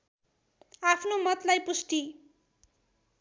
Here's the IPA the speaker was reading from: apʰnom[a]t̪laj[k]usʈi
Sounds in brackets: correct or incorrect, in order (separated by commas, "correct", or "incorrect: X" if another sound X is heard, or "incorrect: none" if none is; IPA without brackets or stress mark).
incorrect: ʌ, incorrect: p